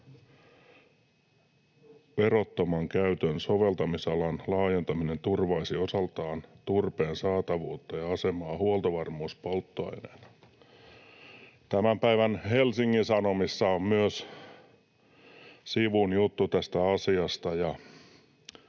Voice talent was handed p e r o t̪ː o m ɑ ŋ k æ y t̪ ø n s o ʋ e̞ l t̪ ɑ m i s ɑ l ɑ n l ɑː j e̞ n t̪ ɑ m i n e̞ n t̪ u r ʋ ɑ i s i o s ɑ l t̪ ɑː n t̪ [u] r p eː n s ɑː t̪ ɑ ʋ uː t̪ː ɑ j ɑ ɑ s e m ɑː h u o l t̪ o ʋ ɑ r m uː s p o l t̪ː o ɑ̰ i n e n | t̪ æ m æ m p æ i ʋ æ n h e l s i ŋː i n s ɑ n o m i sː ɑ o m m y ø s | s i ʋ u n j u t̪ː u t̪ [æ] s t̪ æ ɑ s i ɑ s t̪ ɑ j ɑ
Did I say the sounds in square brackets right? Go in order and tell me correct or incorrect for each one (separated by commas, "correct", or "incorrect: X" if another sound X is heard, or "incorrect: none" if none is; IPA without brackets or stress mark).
correct, correct